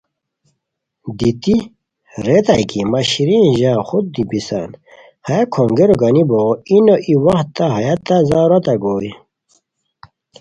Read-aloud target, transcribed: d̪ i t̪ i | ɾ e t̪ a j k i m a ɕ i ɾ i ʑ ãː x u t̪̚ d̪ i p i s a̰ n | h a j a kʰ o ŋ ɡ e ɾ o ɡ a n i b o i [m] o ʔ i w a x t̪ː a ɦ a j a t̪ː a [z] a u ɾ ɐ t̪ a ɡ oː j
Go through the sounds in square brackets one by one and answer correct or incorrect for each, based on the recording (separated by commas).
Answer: incorrect, correct